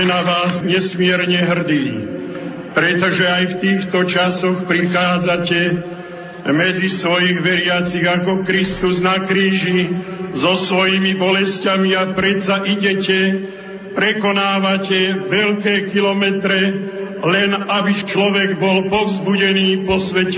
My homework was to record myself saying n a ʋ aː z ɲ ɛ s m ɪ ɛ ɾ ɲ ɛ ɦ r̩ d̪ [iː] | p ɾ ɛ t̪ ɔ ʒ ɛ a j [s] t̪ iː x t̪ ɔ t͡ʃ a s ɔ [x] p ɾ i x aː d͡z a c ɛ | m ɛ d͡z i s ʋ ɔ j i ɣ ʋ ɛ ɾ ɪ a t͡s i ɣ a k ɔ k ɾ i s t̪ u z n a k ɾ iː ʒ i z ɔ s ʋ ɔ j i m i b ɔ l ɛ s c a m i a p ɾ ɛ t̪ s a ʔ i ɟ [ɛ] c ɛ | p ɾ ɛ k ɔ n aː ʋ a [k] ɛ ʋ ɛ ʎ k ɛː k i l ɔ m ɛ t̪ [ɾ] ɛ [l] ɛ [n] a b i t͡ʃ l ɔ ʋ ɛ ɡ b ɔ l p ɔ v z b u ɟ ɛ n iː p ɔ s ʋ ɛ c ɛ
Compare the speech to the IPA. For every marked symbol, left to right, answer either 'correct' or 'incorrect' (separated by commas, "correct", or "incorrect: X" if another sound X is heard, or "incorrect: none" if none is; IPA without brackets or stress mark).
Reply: correct, incorrect: f, correct, correct, incorrect: c, correct, correct, correct